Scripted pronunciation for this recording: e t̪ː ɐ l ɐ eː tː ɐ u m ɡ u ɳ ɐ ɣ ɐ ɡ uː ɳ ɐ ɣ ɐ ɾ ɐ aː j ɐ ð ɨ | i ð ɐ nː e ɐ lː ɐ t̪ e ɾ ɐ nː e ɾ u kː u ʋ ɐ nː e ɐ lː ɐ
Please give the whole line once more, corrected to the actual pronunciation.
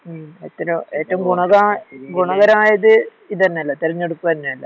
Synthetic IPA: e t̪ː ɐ ɾ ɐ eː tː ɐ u m ɡ u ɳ ɐ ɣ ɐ ɡ u ɳ ɐ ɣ ɐ ɾ ɐ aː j ɐ ð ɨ | i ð ɐ nː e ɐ lː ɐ t̪ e ɾ ɐ ɲː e ɽ u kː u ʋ ɐ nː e ɐ lː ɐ